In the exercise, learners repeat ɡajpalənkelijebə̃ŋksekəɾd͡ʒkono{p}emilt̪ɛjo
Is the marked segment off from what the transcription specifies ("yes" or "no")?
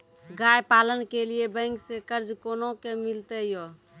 yes